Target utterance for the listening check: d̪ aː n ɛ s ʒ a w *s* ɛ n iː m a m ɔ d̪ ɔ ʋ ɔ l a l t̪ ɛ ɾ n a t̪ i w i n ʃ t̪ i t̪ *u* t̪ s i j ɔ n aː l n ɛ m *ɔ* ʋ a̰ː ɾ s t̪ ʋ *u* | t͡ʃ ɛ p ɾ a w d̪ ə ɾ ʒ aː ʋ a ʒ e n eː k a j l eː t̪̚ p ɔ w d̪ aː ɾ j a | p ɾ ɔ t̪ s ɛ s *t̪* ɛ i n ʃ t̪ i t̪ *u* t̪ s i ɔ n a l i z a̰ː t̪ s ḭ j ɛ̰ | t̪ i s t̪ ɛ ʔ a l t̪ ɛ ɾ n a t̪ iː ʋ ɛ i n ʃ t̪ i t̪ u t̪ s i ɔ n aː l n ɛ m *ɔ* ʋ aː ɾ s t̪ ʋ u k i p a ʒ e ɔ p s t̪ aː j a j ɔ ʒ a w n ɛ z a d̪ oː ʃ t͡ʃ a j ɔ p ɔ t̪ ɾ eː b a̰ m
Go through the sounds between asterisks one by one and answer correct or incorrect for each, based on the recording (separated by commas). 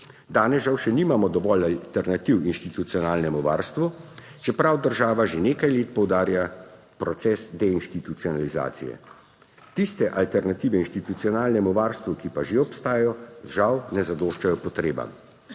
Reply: incorrect, correct, incorrect, correct, incorrect, correct, incorrect